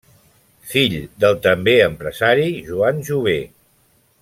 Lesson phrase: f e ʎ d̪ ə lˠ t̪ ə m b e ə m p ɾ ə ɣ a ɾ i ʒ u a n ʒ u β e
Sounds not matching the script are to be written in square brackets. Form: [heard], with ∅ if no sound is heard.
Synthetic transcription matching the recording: f [i] ʎ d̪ ə lˠ t̪ ə m b e ə m p ɾ ə [z] a ɾ i ʒ u a n ʒ u β e